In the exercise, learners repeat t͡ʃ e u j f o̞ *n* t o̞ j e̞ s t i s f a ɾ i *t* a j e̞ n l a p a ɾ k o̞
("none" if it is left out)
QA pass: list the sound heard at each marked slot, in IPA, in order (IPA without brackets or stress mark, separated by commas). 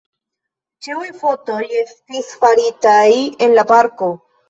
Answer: none, t